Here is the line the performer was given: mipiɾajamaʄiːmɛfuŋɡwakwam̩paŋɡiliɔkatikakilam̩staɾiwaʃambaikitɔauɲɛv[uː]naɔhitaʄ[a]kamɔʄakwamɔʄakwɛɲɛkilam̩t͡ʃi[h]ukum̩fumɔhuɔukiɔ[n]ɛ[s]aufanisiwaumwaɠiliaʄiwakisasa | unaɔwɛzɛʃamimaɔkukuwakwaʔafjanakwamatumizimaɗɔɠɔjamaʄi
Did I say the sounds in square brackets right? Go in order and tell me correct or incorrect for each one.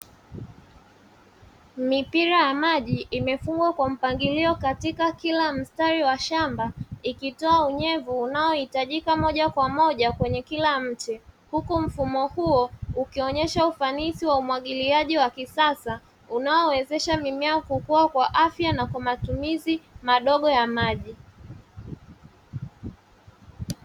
correct, incorrect: i, correct, incorrect: ɲ, incorrect: ʃ

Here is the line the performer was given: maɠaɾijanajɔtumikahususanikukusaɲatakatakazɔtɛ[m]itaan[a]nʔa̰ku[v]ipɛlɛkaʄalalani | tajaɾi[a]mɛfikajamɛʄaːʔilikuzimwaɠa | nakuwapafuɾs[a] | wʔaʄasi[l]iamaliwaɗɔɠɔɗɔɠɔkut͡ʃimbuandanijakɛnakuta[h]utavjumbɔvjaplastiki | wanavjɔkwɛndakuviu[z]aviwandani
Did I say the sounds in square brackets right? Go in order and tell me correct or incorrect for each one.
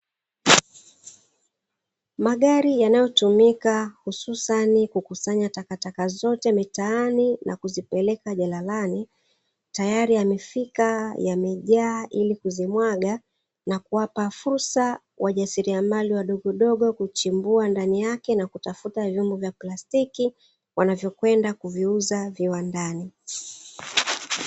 correct, incorrect: i, incorrect: z, correct, correct, incorrect: ɾ, incorrect: f, correct

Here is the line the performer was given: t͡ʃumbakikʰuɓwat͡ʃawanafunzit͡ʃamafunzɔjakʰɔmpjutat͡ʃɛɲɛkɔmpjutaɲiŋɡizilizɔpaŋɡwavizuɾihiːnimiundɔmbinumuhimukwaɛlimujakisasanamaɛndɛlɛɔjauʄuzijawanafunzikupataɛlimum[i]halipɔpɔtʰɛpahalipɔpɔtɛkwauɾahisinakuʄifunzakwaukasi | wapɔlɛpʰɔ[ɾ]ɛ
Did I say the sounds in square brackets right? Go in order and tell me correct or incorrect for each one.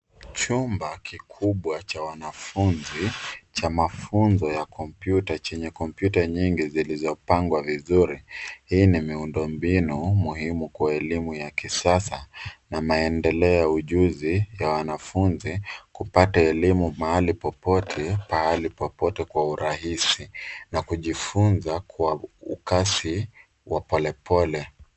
incorrect: a, incorrect: l

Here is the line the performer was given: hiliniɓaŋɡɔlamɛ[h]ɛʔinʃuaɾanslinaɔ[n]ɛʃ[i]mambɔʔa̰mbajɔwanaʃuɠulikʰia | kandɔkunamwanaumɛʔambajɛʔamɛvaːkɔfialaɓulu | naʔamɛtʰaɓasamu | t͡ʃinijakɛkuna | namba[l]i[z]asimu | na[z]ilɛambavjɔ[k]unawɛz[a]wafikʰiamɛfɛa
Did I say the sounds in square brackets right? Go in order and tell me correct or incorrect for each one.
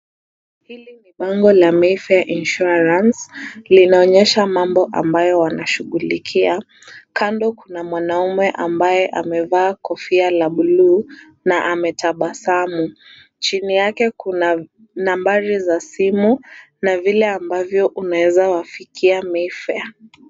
incorrect: f, incorrect: ɲ, incorrect: a, incorrect: ɾ, correct, incorrect: v, incorrect: ʔ, correct

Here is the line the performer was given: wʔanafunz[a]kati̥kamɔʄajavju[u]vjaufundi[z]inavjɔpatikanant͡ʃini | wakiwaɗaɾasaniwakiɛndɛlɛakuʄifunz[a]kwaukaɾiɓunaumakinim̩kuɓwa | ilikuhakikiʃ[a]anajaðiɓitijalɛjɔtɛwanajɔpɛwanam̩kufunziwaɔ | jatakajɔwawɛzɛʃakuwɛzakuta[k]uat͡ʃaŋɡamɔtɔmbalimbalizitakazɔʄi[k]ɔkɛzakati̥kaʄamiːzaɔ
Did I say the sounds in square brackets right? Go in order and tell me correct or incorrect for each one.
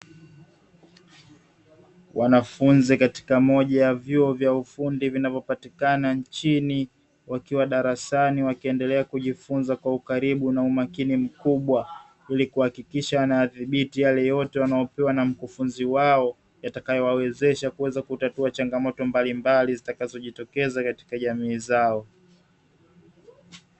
incorrect: i, incorrect: ɔ, incorrect: v, correct, correct, incorrect: t, incorrect: t

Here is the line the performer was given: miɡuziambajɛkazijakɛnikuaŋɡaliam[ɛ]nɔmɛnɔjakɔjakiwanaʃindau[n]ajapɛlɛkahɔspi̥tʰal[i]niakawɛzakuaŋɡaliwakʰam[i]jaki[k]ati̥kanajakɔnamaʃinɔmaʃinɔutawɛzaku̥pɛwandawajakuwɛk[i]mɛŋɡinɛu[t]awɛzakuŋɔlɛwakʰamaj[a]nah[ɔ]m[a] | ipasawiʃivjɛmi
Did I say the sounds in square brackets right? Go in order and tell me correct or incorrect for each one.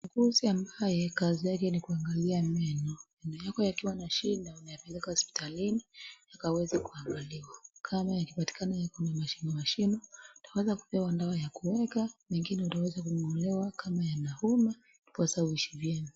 correct, correct, correct, incorrect: a, incorrect: p, incorrect: a, correct, correct, incorrect: u, correct

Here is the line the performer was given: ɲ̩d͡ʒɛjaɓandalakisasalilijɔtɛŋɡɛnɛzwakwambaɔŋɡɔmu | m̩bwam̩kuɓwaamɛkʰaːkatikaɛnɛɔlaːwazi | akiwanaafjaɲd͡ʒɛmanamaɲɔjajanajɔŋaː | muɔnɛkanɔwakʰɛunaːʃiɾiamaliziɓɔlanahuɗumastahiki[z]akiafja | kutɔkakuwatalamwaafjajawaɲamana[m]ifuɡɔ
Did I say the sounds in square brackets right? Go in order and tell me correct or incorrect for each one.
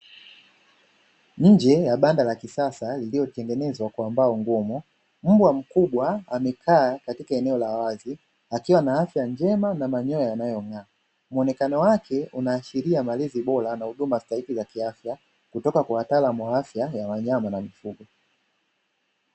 correct, correct

